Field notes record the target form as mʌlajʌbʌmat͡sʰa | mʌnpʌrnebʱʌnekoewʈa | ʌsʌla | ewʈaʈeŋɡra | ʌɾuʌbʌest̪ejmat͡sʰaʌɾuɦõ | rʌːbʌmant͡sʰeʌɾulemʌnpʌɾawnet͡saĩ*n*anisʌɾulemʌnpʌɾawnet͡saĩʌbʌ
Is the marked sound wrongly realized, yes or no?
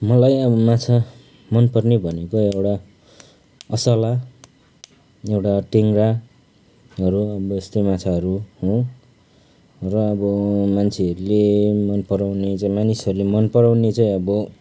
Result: yes